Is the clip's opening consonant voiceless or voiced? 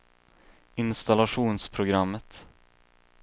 voiced